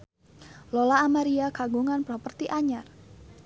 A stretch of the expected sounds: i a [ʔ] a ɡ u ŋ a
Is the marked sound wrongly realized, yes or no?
yes